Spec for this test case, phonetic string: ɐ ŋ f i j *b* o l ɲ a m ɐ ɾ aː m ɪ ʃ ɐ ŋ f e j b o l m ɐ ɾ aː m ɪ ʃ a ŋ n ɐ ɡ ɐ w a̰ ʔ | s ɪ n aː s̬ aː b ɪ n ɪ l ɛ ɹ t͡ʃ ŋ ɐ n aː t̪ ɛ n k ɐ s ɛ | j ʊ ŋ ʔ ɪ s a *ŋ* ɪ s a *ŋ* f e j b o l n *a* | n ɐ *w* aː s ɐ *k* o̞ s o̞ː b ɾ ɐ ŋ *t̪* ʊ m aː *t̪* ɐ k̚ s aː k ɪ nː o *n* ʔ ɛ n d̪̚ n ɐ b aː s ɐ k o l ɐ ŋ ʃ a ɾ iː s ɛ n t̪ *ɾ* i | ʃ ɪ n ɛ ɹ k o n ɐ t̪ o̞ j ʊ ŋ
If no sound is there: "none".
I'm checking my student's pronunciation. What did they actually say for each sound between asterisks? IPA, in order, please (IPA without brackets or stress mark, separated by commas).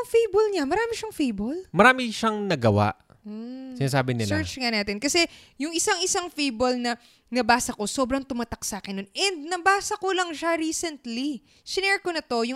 b, ŋ, ŋ, ɐ, b, k, t̪, t̪, n, l